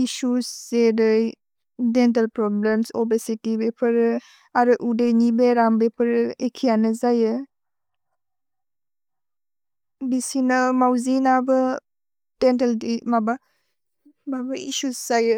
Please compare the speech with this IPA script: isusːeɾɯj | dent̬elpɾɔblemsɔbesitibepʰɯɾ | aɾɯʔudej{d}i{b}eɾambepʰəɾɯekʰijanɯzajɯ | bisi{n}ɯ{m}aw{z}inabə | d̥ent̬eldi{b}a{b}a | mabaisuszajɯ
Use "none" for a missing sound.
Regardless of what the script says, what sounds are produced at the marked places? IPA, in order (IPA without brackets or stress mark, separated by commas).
n, b, n, m, z, m, b